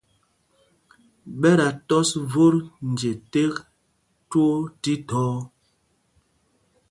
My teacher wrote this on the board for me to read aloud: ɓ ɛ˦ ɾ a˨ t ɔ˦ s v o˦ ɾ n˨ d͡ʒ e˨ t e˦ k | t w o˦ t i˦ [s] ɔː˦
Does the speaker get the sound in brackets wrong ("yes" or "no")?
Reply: yes